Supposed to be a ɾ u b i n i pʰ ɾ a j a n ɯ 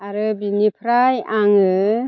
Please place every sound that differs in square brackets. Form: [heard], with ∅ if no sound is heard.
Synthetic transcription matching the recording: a ɾ [ɯ] b i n i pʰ ɾ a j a [ŋ] ɯ